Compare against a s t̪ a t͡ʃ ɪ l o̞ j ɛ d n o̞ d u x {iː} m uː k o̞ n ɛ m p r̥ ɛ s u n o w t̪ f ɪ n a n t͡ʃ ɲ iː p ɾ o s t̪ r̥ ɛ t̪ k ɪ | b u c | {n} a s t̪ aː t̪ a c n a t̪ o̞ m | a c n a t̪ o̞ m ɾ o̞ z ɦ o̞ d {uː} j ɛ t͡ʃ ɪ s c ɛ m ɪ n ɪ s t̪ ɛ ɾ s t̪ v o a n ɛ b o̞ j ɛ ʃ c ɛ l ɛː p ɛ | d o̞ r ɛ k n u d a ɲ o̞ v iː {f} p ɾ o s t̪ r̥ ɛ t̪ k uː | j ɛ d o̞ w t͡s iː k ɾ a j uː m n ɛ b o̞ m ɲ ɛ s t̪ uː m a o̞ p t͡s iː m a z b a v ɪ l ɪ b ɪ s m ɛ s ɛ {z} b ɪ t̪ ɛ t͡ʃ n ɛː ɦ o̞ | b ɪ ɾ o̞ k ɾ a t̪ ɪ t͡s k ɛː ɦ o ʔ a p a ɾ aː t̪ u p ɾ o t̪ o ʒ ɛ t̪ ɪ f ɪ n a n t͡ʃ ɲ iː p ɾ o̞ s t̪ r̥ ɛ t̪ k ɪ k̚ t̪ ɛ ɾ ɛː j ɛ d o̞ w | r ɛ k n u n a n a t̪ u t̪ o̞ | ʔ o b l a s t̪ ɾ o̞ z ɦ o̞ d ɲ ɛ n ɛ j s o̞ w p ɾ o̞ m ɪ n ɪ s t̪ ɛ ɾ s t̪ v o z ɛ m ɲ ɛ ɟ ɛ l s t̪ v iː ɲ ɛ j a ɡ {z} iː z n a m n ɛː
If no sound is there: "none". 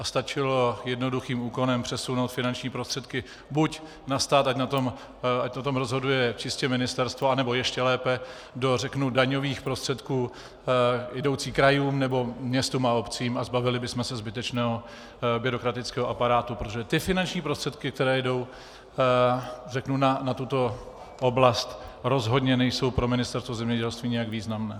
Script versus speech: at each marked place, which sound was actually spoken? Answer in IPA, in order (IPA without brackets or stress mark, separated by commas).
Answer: iː, n, u, x, z, v